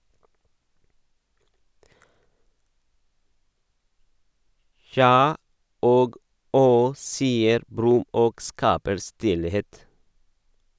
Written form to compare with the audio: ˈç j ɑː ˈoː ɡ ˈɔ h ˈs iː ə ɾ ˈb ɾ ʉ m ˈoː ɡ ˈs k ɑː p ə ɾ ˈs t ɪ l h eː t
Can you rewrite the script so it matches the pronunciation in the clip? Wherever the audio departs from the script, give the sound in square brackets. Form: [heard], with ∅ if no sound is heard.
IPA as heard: ˈç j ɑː ˈoː ɡ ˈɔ h ˈs iː ə ɾ ˈb ɾ ʉ m ˈoː ɡ ˈs k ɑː p ə ɾ ˈs t ɪ l h eː t